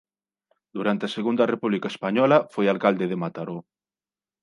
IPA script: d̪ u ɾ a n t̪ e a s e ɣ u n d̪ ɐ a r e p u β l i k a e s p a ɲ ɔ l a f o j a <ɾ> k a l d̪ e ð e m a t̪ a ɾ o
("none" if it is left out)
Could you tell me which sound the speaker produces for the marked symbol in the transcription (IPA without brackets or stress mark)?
l